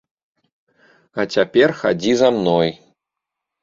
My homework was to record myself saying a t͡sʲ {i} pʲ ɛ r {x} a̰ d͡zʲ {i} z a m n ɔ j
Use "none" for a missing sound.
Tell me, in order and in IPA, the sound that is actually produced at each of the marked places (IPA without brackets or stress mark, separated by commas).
a, x, i